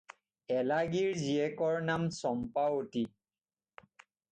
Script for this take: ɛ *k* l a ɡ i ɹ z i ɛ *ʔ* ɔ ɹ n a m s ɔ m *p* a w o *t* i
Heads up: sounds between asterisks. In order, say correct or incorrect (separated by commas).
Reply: incorrect, incorrect, correct, correct